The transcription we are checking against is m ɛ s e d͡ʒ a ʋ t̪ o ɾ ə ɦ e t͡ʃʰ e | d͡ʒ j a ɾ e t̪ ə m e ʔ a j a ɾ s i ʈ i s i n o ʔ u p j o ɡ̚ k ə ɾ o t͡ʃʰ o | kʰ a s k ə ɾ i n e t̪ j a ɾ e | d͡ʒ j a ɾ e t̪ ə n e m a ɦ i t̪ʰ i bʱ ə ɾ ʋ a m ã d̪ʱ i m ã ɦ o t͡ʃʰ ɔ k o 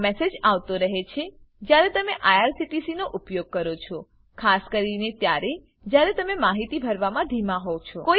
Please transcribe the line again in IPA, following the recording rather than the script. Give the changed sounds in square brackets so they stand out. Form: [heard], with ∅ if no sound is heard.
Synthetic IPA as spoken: m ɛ s e d͡ʒ a ʋ t̪ o ɾ ə ɦ e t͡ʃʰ e | d͡ʒ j a ɾ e t̪ ə m e ʔ a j a ɾ s i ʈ i s i n o ʔ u p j o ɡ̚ k ə ɾ o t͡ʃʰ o | kʰ a s k ə ɾ i n e t̪ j a ɾ e | d͡ʒ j a ɾ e t̪ ə [m] e m a ɦ i [t̪] i bʱ ə ɾ ʋ a m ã d̪ʱ i m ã ɦ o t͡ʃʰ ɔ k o